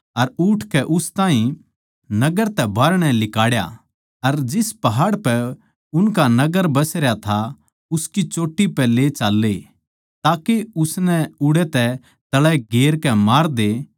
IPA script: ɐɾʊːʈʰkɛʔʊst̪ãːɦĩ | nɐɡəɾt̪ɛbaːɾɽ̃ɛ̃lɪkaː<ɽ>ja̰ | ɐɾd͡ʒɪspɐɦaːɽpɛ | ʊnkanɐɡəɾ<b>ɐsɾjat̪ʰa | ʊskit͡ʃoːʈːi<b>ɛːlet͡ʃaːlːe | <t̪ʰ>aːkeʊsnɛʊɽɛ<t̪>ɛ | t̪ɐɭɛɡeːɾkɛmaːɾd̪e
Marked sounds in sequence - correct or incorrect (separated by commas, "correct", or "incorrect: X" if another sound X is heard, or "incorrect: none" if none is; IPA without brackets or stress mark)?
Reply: correct, correct, incorrect: p, incorrect: t̪, correct